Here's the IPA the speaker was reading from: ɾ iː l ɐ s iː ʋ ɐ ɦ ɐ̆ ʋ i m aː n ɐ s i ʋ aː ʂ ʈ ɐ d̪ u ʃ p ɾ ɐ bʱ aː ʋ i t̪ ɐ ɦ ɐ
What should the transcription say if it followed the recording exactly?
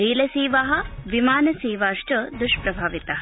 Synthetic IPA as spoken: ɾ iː l ɐ s iː ʋ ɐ ɦ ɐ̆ ʋ i m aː n ɐ s iː ʋ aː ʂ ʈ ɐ d̪ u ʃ p ɾ ɐ bʱ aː ʋ i t̪ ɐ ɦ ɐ

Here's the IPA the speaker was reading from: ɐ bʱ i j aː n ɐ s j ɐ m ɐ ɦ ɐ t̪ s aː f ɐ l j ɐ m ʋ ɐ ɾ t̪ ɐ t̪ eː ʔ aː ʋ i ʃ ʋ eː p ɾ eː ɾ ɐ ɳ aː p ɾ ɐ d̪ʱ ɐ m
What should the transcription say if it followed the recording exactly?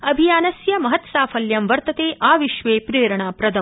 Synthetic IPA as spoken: ɐ bʱ i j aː n ɐ s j ɐ m ɐ ɦ ɐ t̪ s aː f ɐ l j ɐ m ʋ ɐ ɾ t̪ ɐ t̪ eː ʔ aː ʋ i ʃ ʋ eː p ɾ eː ɾ ɐ ɳ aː p ɾ ɐ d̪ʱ ɐ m

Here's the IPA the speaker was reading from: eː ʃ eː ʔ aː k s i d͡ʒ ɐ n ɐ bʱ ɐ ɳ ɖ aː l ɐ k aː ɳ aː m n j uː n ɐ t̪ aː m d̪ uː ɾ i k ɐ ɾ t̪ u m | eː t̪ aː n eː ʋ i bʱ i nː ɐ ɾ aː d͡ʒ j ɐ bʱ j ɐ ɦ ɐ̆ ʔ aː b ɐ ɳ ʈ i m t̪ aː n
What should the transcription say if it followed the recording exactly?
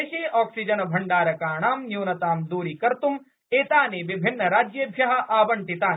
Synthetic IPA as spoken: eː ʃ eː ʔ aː k s i d͡ʒ ɐ n ɐ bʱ ɐ ɳ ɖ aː ɾ ɐ k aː ɳ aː m n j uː n ɐ t̪ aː m d̪ uː ɾ i k ɐ ɾ t̪ u m | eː t̪ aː n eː ʋ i bʱ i nː ɐ ɾ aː d͡ʒ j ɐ bʱ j ɐ ɦ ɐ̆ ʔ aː b ɐ ɳ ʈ i t̪ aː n

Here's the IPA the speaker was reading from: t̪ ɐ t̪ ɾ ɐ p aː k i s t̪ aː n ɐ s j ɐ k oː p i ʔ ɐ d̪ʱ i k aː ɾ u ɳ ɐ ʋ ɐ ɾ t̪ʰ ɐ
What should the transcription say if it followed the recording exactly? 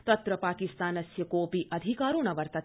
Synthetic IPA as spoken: t̪ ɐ t̪ ɾ ɐ p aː k i s t̪ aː n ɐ s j ɐ k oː p i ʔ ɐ d̪ʱ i k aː ɾ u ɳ ɐ ʋ ɐ ɾ t̪ ɐ

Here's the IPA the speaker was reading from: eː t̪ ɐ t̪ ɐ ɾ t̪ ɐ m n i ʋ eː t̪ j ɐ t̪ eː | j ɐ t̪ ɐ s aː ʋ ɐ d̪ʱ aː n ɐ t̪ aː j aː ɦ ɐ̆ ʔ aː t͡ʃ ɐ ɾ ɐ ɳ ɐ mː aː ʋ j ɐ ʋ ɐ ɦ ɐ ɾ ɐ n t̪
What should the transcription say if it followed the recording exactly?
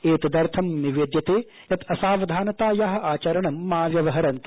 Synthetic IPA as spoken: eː t̪ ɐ d̪ ɐ ɾ t̪ʰ ɐ m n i ʋ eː d̪ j ɐ t̪ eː | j ɐ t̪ ɐ s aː ʋ ɐ d̪ʱ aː n ɐ t̪ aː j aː ɦ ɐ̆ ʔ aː t͡ʃ ɐ ɾ ɐ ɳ ɐ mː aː ʋ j ɐ ʋ ɐ ɦ ɐ ɾ ɐ n t̪

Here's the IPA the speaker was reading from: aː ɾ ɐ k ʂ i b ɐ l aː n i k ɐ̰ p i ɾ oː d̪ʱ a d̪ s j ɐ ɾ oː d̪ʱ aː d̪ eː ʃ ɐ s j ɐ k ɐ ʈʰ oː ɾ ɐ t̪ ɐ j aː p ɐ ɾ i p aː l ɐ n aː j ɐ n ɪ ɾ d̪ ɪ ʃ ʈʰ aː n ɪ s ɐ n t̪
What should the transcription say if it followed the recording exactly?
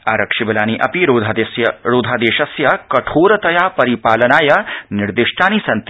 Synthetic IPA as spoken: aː ɾ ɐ k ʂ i b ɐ l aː n i ʔ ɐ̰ p i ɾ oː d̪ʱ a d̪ s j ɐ ɾ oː d̪ʱ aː d̪ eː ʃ ɐ s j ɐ k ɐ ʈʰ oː ɾ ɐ t̪ ɐ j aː p ɐ ɾ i p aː l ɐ n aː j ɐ n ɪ ɾ d̪ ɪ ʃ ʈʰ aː n i s ɐ n t̪

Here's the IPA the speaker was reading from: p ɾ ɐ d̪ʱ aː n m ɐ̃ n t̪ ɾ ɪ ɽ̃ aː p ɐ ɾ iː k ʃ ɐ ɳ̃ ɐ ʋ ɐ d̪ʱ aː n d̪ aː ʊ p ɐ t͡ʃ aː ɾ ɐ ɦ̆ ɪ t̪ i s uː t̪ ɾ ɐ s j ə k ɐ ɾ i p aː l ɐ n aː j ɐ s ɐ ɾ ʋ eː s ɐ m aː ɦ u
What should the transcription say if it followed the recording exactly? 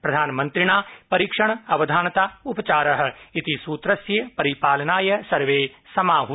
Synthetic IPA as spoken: p ɾ ɐ d̪ʱ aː n m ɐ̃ n t̪ ɾ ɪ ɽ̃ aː p ɐ ɾ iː k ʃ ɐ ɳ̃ ɐ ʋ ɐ d̪ʱ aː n t̪ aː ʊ p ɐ t͡ʃ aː ɾ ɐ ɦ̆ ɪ t̪ i s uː t̪ ɾ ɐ s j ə p ɐ ɾ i p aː l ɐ n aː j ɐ s ɐ ɾ ʋ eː s ɐ m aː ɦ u

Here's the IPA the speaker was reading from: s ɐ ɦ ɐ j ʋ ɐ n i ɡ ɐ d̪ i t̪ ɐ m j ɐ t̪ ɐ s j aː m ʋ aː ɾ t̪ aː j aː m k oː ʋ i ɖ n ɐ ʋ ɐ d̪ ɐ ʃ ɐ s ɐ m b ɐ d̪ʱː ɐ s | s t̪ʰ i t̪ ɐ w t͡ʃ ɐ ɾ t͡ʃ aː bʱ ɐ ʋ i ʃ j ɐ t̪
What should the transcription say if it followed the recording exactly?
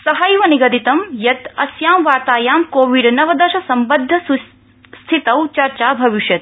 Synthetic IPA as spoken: s ɐ ɦ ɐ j ʋ ɐ n i ɡ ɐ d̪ i t̪ ɐ m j ɐ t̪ ɐ s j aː m ʋ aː ɾ t̪ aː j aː m k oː ʋ i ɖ n ɐ ʋ ɐ d̪ ɐ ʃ ɐ s ɐ m b ɐ d̪ʱː ɐ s | s t̪ʰ i t̪ ɐ w t͡ʃ ɐ ɾ t͡ʃ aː bʱ ɐ ʋ i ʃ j ɐ t̪

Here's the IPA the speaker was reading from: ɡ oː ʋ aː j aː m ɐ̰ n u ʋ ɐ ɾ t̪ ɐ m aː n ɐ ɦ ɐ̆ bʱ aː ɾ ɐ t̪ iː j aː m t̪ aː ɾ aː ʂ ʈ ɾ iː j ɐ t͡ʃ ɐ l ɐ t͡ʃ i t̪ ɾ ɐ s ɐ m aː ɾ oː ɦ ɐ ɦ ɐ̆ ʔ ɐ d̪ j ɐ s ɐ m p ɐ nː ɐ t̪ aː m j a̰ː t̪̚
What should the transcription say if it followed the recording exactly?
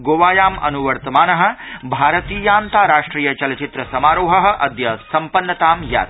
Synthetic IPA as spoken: ɡ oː ʋ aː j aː m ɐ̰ n u ʋ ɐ ɾ t̪ ɐ m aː n ɐ ɦ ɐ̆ bʱ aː ɾ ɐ t̪ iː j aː n t̪ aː ɾ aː ʂ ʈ ɾ iː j ɐ t͡ʃ ɐ l ɐ t͡ʃ i t̪ ɾ ɐ s ɐ m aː ɾ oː ɦ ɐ ɦ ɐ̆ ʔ ɐ d̪ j ɐ s ɐ m p ɐ nː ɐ t̪ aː m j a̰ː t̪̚

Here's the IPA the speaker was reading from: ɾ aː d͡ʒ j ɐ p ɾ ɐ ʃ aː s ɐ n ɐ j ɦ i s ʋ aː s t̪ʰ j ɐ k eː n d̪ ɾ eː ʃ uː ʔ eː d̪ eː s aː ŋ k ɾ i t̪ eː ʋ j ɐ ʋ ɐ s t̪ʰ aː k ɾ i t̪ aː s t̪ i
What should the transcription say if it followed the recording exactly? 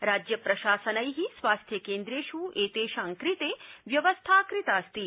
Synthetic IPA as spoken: ɾ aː d͡ʒ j ɐ p ɾ ɐ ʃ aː s ɐ n ɐ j ɦ i s ʋ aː s t̪ʰ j ɐ k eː n d̪ ɾ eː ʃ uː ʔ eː t̪ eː ʃ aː ŋ k ɾ i t̪ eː ʋ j ɐ ʋ ɐ s t̪ʰ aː k ɾ i t̪ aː s t̪ i

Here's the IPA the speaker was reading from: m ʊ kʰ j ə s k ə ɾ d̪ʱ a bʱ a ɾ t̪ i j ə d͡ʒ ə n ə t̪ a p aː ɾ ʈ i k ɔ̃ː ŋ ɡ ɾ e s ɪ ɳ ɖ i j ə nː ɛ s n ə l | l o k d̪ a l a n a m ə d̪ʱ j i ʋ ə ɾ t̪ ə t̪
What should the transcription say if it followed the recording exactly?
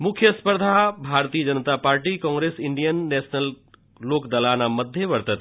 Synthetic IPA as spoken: m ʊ kʰ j ə s p ə ɾ d̪ʱ a bʱ a ɾ t̪ i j ə d͡ʒ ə n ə t̪ a p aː ɾ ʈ i k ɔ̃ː ŋ ɡ ɾ e s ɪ ɳ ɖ i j ə nː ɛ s n ə l | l o k d̪ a l a n a m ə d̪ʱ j e ʋ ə ɾ t̪ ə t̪

